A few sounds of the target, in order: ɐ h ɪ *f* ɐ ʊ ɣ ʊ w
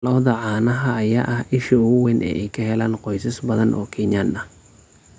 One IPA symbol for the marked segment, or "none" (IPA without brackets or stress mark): ʃ